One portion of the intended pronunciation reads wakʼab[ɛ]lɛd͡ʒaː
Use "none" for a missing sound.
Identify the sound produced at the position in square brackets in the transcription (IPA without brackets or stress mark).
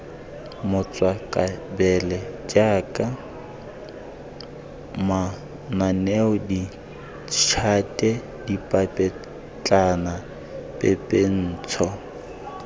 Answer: ɛ